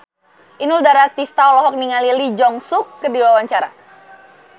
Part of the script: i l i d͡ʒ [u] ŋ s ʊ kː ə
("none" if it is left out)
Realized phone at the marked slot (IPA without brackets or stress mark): ɔ